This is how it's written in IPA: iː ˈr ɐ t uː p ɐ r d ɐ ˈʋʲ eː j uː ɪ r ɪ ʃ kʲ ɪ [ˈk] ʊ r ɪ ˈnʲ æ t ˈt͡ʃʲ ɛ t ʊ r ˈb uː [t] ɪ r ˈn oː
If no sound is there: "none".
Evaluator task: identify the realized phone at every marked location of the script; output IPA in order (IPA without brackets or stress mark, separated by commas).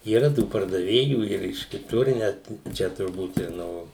t, t